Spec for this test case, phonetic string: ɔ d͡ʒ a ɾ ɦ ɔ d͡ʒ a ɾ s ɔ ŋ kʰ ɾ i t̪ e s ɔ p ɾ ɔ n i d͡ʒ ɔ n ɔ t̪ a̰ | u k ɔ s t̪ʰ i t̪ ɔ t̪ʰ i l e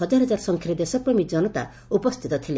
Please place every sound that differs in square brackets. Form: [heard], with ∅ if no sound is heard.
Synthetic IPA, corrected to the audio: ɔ d͡ʒ a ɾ ɦ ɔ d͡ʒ a ɾ s ɔ ŋ kʰ ɾ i [d̪] e s ɔ p ɾ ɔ [m] i d͡ʒ ɔ n ɔ t̪ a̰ | u [p] ɔ s t̪ʰ i t̪ ɔ t̪ʰ i l e